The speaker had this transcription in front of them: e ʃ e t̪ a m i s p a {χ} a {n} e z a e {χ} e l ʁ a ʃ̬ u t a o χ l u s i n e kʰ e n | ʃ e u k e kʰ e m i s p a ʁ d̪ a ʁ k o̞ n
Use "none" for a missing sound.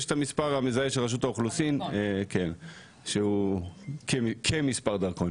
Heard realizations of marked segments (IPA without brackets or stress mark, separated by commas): ʁ, m, ʃ